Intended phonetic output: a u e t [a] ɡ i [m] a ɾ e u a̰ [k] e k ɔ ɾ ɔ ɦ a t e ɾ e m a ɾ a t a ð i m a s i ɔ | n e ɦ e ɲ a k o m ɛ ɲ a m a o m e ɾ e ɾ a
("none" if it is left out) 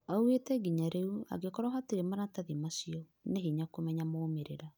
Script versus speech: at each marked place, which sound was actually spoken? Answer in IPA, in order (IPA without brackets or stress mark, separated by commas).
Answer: ɛ, ɲ, ɡ